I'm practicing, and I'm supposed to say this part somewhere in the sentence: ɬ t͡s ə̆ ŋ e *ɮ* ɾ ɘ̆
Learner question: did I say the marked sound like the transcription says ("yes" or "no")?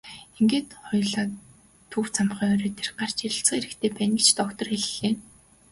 no